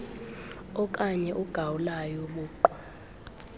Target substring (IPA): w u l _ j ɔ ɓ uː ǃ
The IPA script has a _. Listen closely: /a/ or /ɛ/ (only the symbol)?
a